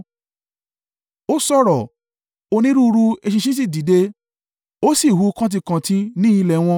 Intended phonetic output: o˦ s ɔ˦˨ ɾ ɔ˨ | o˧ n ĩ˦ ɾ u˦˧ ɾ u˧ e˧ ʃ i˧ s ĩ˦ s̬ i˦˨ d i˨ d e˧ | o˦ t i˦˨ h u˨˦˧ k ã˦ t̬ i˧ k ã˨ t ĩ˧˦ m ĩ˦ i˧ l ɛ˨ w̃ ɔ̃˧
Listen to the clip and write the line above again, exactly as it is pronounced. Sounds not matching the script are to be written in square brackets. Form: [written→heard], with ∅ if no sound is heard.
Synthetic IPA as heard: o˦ s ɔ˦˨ ɾ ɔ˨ | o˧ n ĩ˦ ɾ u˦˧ ɾ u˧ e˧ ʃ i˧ [s→ʃ] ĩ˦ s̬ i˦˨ d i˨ d e˧ | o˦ [t→s] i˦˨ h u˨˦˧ k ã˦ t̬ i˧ k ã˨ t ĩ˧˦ [m→n] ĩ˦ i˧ l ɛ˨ w̃ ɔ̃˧